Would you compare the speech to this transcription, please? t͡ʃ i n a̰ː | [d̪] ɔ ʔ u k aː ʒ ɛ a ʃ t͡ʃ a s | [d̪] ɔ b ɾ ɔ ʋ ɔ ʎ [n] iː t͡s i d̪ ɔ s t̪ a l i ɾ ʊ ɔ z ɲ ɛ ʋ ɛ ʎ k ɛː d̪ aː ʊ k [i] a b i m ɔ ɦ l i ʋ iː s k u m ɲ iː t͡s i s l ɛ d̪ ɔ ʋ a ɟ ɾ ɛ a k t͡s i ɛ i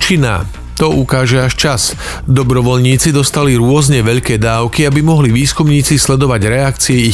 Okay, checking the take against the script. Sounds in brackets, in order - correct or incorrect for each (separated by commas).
incorrect, correct, incorrect, correct